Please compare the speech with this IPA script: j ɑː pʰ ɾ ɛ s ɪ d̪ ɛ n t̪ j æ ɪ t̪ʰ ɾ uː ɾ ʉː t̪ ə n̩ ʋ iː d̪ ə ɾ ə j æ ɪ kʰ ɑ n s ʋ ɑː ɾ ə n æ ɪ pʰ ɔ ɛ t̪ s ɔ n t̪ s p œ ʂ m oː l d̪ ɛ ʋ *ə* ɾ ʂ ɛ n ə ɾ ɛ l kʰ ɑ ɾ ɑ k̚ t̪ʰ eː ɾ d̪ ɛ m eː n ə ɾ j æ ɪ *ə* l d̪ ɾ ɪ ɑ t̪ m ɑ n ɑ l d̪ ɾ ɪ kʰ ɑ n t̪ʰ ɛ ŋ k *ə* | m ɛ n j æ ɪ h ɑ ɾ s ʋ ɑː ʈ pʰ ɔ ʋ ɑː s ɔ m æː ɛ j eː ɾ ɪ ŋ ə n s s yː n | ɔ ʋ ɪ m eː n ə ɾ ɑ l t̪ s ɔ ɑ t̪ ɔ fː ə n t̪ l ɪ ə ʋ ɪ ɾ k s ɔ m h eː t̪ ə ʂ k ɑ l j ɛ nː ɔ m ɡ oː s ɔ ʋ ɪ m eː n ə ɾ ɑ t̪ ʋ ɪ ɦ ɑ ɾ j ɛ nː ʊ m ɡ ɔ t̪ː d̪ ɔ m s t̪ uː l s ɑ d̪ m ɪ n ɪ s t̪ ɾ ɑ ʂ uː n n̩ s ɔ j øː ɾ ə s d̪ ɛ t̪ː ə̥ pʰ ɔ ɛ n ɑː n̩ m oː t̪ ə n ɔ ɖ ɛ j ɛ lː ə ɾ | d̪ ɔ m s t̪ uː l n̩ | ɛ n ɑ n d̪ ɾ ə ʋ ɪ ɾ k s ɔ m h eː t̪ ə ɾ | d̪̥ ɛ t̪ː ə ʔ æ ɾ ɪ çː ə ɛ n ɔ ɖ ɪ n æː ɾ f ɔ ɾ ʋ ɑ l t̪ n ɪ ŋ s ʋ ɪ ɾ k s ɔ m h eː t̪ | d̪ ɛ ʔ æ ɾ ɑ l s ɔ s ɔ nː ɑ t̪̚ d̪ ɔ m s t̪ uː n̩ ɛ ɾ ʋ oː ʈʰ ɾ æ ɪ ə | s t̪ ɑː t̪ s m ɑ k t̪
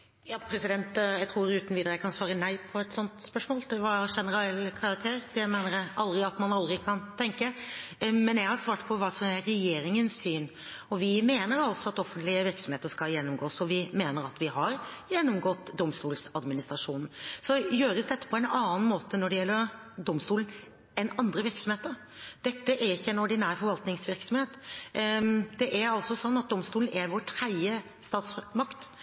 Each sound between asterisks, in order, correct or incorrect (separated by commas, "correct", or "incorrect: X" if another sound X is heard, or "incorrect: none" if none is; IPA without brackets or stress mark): incorrect: ɑ, incorrect: ɑ, correct